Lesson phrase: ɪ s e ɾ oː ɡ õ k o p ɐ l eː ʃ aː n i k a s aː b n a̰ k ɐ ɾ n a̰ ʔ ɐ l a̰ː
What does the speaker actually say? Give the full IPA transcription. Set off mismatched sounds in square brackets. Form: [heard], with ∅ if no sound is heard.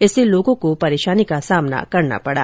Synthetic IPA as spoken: ɪ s e [l] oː ɡ õ k o p ɐ [ɾ] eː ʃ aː n i k a s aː [m] n a̰ k ɐ ɾ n a̰ [p] ɐ [ɽ] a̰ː